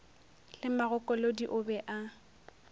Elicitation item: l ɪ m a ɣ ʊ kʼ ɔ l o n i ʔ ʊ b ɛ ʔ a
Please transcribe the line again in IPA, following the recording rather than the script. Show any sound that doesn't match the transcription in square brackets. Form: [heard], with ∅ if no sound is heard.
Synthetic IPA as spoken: l ɪ m a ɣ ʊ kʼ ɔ l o [d] i ʔ ʊ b ɛ ʔ a